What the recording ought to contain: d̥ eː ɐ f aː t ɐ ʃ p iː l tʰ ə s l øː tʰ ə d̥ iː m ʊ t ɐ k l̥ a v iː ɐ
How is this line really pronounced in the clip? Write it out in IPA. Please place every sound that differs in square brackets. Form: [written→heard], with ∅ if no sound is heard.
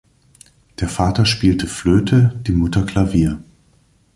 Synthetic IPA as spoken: d̥ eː ɐ f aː t ɐ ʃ p iː l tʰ ə [s→f] l øː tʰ ə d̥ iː m ʊ t ɐ k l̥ a v iː ɐ